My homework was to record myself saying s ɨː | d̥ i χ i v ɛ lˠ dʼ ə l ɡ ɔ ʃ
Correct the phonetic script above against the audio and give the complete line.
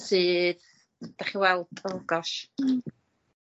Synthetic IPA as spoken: s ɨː | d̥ a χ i w ɛ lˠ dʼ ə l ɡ ɔ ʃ